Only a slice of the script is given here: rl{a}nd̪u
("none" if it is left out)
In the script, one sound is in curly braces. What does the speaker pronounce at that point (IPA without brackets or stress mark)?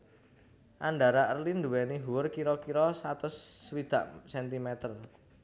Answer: i